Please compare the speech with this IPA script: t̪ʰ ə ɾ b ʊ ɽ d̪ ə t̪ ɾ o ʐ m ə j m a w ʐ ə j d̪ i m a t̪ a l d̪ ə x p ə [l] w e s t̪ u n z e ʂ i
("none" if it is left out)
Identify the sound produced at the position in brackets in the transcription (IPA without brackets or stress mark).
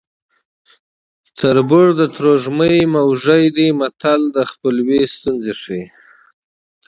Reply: l